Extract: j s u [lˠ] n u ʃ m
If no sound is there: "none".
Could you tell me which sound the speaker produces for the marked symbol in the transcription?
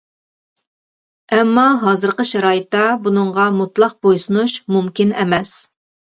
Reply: none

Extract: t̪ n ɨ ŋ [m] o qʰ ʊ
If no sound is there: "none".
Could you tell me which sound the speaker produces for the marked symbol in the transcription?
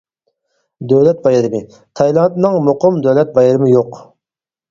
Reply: m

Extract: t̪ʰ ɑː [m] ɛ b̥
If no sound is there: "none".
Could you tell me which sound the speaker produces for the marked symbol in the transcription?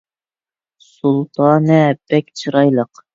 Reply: n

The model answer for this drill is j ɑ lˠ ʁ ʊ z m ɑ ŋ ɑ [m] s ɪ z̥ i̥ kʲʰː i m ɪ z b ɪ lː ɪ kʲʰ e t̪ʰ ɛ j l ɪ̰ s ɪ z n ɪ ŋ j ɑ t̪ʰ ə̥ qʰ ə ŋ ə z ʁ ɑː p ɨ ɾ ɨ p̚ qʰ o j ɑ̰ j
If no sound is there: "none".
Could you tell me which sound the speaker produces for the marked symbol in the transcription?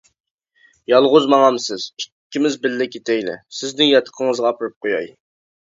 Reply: m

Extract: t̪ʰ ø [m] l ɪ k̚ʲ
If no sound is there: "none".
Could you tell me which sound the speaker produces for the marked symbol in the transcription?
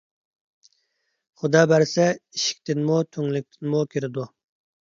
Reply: ŋ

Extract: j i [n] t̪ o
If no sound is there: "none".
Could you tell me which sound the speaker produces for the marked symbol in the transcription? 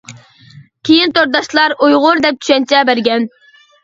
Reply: n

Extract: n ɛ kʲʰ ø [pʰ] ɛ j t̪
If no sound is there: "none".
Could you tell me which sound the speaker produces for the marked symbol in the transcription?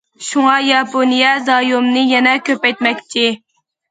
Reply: p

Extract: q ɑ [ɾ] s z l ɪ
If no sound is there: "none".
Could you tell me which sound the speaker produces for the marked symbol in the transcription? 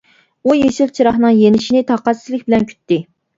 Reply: none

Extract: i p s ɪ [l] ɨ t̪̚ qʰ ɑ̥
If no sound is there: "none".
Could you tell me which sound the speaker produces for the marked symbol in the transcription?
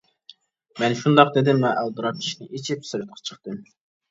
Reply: ɾ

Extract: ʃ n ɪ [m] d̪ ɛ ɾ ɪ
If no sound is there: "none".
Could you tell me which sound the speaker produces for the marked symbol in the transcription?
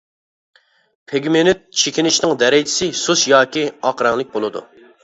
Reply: ŋ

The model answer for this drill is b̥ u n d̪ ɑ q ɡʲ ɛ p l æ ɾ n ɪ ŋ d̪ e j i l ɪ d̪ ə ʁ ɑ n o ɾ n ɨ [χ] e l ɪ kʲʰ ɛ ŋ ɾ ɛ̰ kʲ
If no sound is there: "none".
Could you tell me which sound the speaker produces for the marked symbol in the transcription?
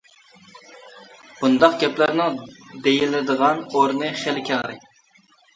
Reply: χ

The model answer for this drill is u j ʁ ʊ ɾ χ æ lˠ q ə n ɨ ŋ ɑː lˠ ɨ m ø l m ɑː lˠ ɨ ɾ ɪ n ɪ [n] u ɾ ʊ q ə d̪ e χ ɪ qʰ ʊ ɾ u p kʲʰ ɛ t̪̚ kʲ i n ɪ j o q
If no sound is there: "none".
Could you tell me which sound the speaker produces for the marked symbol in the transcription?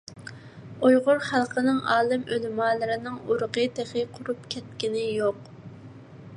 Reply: ŋ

